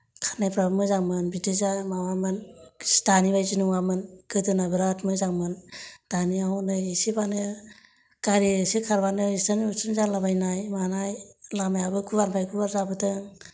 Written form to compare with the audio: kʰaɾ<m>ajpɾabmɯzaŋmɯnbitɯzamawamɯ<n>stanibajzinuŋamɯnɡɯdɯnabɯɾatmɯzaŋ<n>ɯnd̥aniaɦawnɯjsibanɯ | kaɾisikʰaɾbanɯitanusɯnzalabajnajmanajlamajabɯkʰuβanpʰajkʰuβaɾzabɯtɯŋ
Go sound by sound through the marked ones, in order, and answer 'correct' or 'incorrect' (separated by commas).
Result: incorrect, correct, incorrect